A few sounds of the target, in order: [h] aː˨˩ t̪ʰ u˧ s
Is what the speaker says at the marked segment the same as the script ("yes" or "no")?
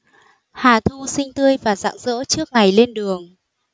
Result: yes